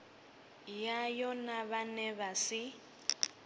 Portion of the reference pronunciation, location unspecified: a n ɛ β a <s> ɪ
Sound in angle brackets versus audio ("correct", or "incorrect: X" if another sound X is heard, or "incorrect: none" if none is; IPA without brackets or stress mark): correct